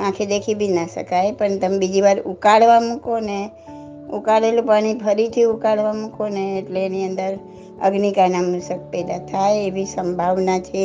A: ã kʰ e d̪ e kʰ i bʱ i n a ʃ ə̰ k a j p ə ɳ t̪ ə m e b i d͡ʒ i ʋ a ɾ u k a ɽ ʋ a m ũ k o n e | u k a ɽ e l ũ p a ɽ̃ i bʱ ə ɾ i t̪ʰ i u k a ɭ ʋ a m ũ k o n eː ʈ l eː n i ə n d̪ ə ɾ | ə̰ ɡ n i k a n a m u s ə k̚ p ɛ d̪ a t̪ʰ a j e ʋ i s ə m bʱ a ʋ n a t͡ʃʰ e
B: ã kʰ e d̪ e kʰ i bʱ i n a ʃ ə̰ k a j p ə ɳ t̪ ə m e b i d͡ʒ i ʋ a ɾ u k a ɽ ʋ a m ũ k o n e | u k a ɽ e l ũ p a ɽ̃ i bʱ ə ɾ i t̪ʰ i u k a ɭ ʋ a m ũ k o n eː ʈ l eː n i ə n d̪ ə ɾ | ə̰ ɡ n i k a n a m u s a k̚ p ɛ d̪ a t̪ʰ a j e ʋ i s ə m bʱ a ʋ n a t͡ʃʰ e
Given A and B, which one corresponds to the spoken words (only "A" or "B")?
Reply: A